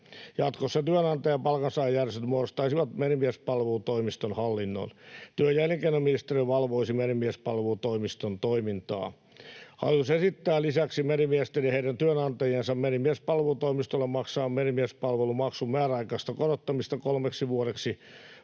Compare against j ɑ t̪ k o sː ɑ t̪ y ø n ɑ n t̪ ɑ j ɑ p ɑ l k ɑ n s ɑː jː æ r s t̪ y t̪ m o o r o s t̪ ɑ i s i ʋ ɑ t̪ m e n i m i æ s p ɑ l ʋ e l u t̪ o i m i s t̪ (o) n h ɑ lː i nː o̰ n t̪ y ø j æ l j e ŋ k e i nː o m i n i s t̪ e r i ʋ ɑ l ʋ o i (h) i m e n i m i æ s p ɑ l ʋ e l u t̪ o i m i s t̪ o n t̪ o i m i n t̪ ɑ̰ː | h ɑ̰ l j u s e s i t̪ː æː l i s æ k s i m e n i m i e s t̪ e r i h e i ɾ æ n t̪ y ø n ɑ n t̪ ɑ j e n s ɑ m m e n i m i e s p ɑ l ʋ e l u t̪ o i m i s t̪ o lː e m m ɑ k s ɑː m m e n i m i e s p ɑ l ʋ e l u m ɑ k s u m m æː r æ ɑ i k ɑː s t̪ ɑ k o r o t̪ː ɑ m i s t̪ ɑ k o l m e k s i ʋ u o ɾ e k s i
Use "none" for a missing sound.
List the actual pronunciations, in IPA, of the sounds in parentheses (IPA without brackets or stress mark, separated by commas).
o, s